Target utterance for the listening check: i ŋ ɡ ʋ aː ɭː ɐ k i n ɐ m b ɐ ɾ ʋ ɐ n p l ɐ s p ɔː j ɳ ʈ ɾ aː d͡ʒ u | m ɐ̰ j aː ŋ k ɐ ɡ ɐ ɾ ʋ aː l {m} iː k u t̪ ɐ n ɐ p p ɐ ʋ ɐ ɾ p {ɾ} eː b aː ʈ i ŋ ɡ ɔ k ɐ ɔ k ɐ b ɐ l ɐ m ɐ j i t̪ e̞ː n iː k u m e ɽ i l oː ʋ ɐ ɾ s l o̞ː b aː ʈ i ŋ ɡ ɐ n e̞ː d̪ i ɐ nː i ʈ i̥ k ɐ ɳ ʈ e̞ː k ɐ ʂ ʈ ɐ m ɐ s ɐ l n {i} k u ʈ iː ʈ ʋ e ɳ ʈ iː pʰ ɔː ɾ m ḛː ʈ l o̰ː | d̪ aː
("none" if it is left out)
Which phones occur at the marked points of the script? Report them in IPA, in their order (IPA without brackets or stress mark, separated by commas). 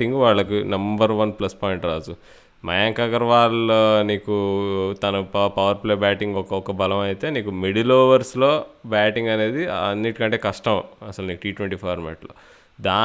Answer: n, l, iː